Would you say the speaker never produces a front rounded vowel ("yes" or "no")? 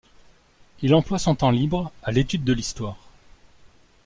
no